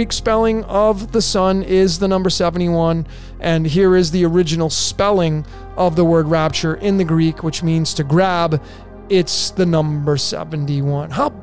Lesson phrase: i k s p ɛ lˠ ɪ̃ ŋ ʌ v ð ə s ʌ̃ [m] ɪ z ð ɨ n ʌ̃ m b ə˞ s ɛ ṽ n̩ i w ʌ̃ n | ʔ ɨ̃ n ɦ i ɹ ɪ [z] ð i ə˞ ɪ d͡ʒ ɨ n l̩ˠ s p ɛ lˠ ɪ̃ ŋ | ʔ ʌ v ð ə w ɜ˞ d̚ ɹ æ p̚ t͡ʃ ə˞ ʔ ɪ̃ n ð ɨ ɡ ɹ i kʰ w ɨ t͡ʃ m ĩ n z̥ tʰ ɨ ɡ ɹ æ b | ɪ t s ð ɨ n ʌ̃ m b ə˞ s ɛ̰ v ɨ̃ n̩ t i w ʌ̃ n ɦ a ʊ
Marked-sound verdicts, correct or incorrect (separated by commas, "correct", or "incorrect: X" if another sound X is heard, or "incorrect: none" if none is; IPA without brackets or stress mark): incorrect: n, correct